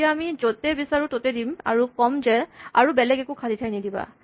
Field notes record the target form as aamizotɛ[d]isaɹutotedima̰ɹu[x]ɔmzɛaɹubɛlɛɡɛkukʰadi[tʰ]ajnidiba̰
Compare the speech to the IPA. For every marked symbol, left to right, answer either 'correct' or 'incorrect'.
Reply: incorrect: b, incorrect: k, correct

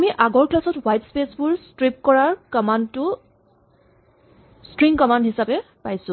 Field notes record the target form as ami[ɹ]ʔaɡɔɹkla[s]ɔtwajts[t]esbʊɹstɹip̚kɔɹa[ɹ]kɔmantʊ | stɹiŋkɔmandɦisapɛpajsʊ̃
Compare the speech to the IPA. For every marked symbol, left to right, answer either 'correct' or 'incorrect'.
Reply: incorrect: none, correct, incorrect: p, correct

